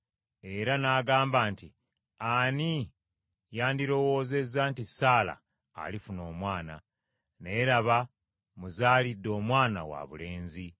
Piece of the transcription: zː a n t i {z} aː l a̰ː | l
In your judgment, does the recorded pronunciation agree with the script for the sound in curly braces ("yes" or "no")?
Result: no